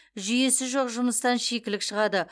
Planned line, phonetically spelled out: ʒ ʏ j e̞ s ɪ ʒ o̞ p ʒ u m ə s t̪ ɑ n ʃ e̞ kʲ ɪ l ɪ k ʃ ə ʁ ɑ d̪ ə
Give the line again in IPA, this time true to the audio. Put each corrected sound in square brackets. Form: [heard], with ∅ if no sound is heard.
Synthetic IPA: ʒ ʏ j e̞ s ɪ ʒ o̞ [q] ʒ [ʊ] m ə s t̪ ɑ n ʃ e̞ kʲ ɪ l ɪ k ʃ ə ʁ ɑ d̪ ə

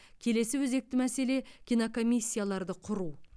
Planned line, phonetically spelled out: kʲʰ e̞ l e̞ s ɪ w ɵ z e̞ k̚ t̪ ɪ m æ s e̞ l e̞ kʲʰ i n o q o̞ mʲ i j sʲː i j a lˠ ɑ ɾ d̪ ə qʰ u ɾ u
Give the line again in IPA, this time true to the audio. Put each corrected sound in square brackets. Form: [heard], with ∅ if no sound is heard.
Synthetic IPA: kʲʰ e̞ l e̞ s ɪ w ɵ z e̞ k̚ t̪ ɪ m æ s e̞ l e̞ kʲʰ i n o [k] o̞ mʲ i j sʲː i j a lˠ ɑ ɾ d̪ ə qʰ [ʊ] ɾ u

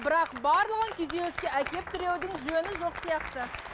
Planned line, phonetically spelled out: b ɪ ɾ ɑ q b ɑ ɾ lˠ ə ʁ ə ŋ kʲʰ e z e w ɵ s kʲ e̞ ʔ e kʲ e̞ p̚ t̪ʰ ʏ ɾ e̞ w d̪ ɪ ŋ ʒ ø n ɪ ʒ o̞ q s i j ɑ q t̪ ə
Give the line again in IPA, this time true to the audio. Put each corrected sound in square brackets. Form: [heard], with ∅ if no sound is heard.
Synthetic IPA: b ɪ ɾ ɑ q b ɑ ɾ lˠ ə ʁ ə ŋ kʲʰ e z e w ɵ s kʲ e̞ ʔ [æ] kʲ e̞ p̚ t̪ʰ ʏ ɾ e̞ w d̪ ɪ ŋ ʒ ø n ɪ ʒ o̞ q s i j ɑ q t̪ ə

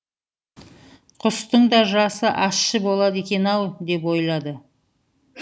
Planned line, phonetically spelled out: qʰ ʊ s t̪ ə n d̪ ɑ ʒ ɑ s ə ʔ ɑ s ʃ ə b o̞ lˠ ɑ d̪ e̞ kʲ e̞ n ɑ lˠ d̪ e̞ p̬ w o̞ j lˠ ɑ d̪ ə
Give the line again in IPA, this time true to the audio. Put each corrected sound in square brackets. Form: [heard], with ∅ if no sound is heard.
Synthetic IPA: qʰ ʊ s t̪ ə [ɴ] d̪ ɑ ʒ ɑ s ə ʔ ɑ s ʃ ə b o̞ lˠ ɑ d̪ e̞ kʲ e̞ n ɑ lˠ d̪ e̞ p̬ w o̞ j lˠ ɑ d̪ ə

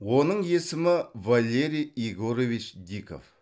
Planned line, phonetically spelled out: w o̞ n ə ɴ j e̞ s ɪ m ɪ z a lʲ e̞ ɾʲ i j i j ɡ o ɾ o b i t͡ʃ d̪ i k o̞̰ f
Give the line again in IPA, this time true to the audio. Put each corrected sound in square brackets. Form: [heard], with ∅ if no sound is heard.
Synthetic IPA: w o̞ n ə ɴ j e̞ s ɪ m ɪ [v] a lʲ e̞ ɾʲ i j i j ɡ o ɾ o [v] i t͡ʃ d̪ i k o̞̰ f

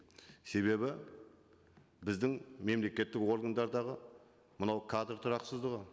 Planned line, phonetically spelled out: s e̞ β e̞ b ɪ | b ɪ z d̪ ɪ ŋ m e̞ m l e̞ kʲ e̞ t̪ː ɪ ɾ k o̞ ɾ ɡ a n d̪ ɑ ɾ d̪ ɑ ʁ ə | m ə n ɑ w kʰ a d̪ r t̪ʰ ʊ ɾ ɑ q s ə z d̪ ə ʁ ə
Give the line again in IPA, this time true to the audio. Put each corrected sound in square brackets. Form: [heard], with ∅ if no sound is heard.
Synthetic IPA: s e̞ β e̞ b ɪ | b ɪ z d̪ ɪ ŋ m e̞ m l e̞ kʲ e̞ t̪ː ɪ [∅] k o̞ ɾ ɡ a n d̪ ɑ ɾ d̪ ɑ ʁ ə | m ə n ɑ w kʰ a d̪ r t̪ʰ ʊ ɾ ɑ q s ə z d̪ ə ʁ ə

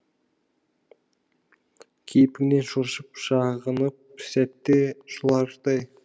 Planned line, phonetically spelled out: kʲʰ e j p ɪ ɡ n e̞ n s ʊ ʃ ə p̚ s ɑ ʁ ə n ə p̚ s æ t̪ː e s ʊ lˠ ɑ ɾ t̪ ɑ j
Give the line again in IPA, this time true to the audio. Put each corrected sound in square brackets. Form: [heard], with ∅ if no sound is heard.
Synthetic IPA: kʲʰ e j p ɪ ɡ n e̞ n [ʃ] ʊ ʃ ə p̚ [ʃ] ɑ ʁ ə n ə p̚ s æ t̪ː e [ʃ] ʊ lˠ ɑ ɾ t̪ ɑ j

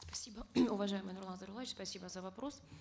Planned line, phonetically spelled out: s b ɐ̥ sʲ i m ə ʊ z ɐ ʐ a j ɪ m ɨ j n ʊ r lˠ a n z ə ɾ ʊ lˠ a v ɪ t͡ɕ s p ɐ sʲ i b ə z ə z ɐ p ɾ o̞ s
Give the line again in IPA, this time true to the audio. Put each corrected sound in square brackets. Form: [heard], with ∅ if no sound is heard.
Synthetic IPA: s [p] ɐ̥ sʲ i [b] ə ʊ [v] ɐ ʐ a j ɪ m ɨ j n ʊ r lˠ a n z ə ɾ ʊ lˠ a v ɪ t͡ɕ s p ɐ sʲ i b ə z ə [v] ɐ p ɾ o̞ s

